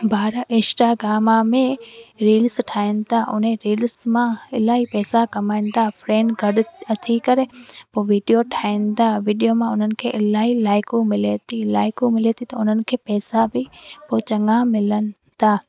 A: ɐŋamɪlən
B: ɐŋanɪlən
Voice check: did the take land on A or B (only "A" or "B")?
A